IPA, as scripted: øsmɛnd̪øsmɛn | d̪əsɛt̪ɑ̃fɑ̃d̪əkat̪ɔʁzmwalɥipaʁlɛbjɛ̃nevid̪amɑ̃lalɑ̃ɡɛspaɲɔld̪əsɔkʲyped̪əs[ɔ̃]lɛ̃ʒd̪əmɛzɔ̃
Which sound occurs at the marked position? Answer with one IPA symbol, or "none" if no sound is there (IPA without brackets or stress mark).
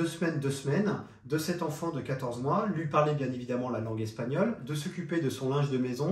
ɔ̃